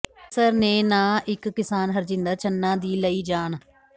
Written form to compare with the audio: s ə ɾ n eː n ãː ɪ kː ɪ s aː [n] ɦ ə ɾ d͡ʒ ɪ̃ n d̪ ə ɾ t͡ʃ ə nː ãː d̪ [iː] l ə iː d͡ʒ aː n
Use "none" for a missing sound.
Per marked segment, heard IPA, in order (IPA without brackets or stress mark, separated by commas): n, iː